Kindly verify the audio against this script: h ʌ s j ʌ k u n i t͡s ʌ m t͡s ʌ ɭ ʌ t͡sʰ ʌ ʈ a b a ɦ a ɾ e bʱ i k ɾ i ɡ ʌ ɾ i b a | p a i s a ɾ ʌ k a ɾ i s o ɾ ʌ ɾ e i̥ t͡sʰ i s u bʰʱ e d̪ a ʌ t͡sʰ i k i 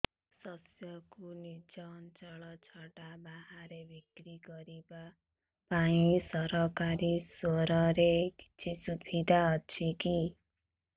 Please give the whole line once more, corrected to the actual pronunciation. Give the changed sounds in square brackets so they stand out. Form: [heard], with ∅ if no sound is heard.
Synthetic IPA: [s] ʌ s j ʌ k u n i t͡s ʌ [n] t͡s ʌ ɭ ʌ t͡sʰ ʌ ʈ a b a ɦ a ɾ e bʱ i k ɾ i ɡ ʌ ɾ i b a | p a i s [ʌ] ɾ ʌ k a ɾ i s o ɾ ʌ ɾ e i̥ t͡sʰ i s u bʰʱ [i] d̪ a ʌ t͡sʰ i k i